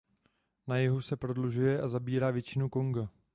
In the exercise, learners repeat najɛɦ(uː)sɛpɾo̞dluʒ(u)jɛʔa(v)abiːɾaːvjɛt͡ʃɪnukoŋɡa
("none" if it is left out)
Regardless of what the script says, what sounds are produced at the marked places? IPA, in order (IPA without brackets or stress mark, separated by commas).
u, u, z